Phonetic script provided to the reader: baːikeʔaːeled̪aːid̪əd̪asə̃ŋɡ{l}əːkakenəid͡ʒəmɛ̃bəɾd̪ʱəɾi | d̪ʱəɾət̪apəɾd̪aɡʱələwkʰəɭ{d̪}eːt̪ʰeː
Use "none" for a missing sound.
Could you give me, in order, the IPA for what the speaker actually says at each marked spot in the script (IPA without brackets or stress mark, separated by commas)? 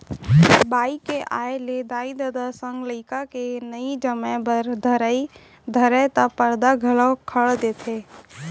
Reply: l, d̪